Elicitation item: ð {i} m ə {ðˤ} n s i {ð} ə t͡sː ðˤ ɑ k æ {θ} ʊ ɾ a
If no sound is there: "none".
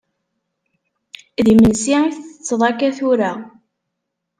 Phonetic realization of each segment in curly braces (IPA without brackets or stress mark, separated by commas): i, none, θ, θ